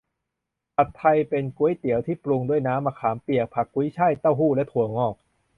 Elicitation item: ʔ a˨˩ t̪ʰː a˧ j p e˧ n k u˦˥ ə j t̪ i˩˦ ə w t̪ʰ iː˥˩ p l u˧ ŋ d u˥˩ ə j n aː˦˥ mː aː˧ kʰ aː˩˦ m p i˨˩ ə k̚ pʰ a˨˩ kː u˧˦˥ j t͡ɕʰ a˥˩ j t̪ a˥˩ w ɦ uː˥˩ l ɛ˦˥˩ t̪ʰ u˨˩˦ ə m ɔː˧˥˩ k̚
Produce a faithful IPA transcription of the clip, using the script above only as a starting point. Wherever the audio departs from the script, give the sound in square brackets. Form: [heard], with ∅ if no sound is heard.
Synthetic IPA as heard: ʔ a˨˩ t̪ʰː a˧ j p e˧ n k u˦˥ ə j t̪ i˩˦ ə w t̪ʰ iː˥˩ p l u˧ ŋ d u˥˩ ə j n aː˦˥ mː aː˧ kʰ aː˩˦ m p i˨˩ ə k̚ pʰ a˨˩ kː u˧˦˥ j t͡ɕʰ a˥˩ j t̪ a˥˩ w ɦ uː˥˩ l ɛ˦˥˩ t̪ʰ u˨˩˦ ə [ŋ] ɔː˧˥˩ k̚